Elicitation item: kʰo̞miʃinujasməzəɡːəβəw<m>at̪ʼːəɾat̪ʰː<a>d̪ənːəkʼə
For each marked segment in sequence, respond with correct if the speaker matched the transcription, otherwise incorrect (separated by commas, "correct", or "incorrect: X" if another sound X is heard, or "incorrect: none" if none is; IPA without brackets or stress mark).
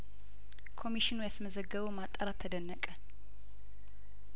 correct, incorrect: ə